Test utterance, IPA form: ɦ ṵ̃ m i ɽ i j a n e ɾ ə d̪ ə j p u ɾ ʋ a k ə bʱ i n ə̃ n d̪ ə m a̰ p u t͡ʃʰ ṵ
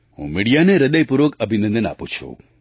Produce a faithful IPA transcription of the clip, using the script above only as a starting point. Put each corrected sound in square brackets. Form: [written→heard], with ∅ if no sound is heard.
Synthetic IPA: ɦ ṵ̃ m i ɽ i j a n e ɾ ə d̪ ə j p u ɾ ʋ [a→ə] k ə bʱ i n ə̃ n d̪ ə [m→n] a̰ p u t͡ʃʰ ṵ